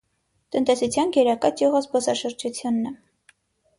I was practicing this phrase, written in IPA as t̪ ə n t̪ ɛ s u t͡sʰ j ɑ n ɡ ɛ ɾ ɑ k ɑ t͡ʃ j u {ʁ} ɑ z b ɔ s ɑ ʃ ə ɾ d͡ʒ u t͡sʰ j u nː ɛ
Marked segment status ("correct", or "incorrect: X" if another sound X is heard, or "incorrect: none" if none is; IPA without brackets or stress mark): correct